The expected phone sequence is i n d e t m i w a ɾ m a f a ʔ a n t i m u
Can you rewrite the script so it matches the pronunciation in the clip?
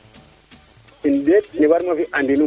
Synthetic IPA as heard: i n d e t n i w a ɾ m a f i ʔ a n d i n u